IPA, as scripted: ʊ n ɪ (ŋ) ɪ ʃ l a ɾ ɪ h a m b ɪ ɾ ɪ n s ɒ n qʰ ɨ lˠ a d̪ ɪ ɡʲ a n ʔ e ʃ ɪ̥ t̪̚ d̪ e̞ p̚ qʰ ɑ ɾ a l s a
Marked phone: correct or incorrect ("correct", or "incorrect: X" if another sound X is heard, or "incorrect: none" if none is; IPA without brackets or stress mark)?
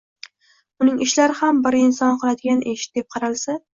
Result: correct